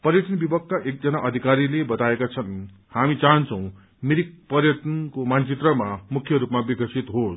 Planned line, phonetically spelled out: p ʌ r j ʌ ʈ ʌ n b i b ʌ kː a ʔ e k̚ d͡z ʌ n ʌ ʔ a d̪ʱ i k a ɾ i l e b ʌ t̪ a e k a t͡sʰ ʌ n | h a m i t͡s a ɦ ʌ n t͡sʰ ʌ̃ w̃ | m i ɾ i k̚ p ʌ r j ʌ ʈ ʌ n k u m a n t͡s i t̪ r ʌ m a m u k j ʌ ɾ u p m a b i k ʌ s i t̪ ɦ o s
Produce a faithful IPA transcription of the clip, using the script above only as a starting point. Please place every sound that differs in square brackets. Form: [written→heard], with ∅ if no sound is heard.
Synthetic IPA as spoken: p ʌ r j ʌ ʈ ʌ n b i b ʌ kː a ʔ e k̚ d͡z ʌ n [ʌ→a] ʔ [a→ʌ] d̪ʱ i k a ɾ i l e b ʌ t̪ a e k a t͡sʰ ʌ n | h a m i t͡s a ɦ ʌ n t͡sʰ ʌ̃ w̃ | m i ɾ i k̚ p ʌ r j ʌ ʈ ʌ n k [u→o] m a n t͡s i t̪ r ʌ m a m u [k→kʰ] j ʌ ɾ u p m a b i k ʌ s i t̪ ɦ o s